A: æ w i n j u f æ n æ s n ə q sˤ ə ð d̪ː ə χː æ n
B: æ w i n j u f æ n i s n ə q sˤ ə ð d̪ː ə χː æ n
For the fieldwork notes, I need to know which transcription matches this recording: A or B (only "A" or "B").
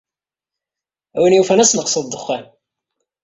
A